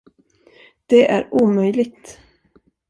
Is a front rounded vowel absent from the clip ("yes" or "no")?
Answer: no